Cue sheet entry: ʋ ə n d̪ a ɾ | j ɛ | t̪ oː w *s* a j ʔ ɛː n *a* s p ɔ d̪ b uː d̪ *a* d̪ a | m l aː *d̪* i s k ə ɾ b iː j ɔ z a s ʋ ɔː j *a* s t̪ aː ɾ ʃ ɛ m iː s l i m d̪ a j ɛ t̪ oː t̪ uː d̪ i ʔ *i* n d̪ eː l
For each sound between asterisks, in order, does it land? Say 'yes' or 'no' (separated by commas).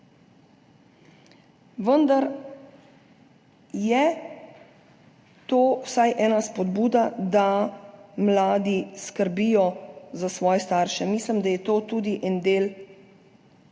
yes, yes, yes, yes, no, no